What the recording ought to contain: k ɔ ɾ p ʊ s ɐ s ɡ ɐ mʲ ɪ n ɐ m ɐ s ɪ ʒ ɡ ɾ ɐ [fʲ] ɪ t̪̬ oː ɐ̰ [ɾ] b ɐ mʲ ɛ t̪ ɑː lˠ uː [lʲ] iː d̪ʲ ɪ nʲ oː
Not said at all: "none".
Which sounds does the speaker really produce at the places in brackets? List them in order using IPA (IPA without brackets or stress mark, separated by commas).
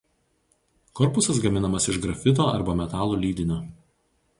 fʲ, ɾ, lʲ